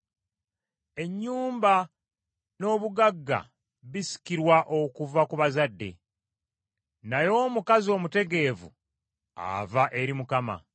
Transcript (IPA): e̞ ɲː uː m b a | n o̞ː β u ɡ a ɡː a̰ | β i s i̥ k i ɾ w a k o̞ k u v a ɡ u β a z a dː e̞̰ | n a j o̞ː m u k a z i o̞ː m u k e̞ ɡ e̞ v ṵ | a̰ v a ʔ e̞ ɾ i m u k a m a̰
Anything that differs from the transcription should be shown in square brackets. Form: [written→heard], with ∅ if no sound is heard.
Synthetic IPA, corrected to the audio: e̞ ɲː uː m b a | n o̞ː β u ɡ a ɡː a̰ | β i s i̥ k i ɾ w a [k→ʔ] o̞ k u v a [ɡ→k] u β a z a dː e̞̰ | n a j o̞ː m u k a z i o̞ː m u [k→t] e̞ ɡ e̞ v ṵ | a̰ v a ʔ e̞ ɾ i m u k a m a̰